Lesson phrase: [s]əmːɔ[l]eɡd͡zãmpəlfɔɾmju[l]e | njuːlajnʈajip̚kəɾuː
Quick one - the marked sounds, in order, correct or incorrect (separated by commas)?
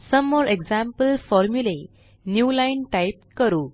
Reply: correct, incorrect, correct